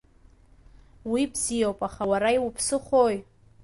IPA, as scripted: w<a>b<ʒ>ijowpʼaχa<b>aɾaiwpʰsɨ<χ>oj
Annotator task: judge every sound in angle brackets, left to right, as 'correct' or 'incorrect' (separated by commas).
incorrect, incorrect, incorrect, correct